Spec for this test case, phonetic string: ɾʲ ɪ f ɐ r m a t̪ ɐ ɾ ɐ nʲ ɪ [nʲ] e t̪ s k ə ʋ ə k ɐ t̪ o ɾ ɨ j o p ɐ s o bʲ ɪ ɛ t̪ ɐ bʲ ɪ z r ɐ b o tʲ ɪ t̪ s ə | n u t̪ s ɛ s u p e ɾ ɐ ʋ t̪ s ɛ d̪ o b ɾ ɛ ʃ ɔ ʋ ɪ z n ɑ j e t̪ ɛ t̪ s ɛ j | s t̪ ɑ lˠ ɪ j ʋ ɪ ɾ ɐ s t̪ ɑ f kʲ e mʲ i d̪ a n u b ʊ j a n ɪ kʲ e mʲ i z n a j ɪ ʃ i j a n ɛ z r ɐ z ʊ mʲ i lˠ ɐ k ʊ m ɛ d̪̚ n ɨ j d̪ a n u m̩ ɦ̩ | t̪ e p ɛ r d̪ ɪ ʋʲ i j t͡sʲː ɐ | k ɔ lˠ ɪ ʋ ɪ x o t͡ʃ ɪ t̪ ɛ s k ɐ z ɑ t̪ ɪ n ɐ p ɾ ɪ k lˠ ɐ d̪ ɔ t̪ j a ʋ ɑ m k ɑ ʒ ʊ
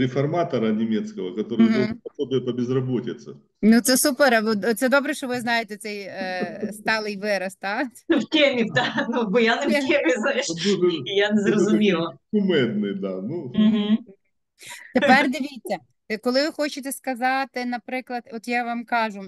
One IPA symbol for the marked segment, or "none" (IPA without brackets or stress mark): mʲ